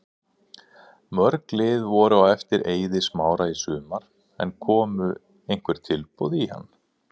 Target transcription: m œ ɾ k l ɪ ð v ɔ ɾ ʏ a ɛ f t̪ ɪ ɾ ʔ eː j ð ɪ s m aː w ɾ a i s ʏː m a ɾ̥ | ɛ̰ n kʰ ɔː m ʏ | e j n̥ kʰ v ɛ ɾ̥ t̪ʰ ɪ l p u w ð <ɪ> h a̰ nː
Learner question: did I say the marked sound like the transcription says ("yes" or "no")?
no